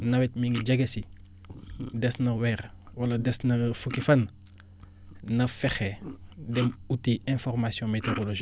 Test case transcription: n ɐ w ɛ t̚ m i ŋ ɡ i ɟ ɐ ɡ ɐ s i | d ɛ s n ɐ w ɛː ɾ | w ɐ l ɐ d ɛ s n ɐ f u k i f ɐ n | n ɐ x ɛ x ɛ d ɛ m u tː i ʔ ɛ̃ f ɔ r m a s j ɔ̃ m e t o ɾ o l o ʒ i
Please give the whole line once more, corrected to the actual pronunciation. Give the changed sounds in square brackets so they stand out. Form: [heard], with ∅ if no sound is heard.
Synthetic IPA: n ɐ w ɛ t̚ m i ŋ ɡ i ɟ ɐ ɡ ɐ s i | d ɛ s n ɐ w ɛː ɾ | w ɐ l ɐ d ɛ s n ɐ f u k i f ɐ n | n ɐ [f] ɛ x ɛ d ɛ m u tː i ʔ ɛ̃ f ɔ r m a s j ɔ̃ m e t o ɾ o l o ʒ i